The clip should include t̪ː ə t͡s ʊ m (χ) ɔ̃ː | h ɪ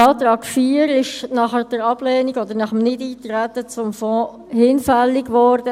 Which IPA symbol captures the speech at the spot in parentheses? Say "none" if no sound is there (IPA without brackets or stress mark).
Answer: f